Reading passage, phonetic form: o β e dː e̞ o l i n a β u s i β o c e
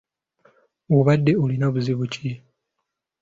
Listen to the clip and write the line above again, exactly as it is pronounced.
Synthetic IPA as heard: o β a dː e̞ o l i n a β u z i β u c i